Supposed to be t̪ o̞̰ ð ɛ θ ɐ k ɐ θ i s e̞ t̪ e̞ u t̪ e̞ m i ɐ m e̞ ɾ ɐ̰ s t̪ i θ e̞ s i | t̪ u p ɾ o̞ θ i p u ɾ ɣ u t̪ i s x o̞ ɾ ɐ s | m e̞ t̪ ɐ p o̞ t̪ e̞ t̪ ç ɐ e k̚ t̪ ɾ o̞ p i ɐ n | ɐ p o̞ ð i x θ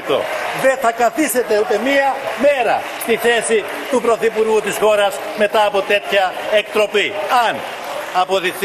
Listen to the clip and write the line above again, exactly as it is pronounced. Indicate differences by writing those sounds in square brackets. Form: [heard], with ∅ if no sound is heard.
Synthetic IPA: t̪ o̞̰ ð [e] θ ɐ k ɐ θ i s e̞ t̪ e̞ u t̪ e̞ m i ɐ m e̞ ɾ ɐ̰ s t̪ i θ e̞ s i | t̪ u p ɾ o̞ θ i p u ɾ ɣ u t̪ i s x o̞ ɾ ɐ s | m e̞ t̪ [ɐː] p o̞ t̪ e̞ t̪ ç ɐ e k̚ t̪ ɾ o̞ p i ɐ n | ɐ p o̞ ð i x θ